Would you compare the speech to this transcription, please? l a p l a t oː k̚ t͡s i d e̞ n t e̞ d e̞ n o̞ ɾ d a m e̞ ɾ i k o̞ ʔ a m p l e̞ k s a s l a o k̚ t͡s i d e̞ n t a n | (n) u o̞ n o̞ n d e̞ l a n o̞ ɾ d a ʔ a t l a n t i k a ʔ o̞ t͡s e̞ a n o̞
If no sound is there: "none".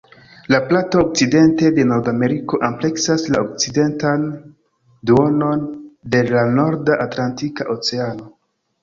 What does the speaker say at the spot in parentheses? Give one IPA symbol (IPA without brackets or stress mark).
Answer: d